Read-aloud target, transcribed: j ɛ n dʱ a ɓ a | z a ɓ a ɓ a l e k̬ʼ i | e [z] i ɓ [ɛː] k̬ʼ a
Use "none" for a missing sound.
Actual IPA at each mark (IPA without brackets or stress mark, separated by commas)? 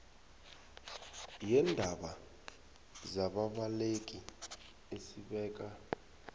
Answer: s, ɛː